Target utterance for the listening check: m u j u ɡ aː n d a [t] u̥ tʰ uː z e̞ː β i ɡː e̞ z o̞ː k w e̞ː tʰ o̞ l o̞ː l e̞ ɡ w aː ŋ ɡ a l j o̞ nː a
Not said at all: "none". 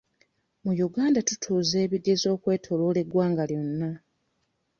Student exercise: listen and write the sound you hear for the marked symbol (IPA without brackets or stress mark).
t